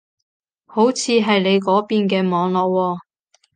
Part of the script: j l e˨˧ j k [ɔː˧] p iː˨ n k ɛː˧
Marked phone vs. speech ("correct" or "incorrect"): incorrect